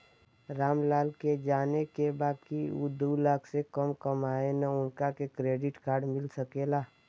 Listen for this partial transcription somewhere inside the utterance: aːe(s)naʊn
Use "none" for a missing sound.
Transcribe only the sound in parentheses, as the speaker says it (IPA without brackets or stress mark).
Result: none